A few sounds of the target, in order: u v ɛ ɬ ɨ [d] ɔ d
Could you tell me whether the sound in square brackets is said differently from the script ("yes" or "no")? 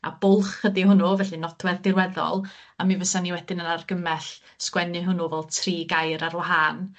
yes